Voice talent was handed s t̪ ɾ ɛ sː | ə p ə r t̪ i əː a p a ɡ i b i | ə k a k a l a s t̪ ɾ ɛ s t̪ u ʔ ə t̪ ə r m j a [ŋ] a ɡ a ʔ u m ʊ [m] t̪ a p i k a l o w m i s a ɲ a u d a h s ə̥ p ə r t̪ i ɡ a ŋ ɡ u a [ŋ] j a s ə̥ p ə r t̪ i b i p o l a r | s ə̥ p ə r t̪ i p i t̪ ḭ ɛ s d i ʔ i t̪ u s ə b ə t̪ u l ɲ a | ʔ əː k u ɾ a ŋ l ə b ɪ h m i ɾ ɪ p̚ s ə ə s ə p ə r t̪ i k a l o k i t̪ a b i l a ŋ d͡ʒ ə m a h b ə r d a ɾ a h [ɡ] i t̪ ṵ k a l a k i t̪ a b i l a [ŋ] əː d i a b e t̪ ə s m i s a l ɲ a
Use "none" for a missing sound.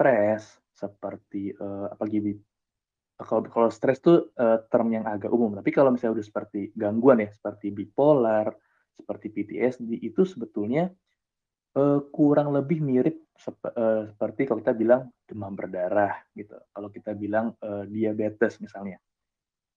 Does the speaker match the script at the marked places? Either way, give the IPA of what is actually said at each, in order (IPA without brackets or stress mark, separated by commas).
ŋ, m, n, ɡ, ŋ